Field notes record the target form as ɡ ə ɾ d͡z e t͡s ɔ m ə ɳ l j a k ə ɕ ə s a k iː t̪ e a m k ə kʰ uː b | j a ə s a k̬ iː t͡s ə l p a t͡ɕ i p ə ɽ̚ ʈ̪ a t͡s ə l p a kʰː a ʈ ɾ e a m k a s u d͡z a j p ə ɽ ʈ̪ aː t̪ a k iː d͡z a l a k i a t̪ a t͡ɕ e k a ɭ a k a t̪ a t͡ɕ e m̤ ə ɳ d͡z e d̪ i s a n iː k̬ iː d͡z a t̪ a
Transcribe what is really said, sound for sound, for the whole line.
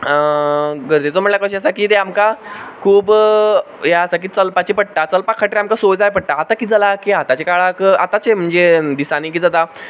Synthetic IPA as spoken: ɡ ə ɾ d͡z e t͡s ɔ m ə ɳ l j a k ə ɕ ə s a k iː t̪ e a m k a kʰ uː b | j a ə s a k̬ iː t͡s ə l p a t͡ɕ i p ə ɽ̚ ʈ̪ a t͡s ə l p a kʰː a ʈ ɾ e a m k a s o d͡z a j p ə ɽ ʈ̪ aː t̪ a k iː d͡z a l a k i a t̪ a t͡ɕ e k a ɭ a k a t̪ a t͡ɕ e m̤ ə ɳ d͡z e d̪ i s a n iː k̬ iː d͡z a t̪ a